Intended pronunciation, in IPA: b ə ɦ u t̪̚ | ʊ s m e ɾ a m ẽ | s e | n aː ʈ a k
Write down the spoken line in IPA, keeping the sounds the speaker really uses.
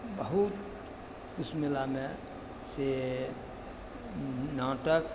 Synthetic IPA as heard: b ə ɦ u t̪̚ | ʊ s m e l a m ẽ | s e | n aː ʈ ə k